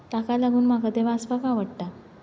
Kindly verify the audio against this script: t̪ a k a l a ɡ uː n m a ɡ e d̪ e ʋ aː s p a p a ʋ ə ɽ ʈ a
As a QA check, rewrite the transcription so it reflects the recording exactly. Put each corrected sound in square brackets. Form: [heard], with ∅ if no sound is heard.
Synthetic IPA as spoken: t̪ a k a l a ɡ uː n m a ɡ [a] d̪ e ʋ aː s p a [k] a ʋ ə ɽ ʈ a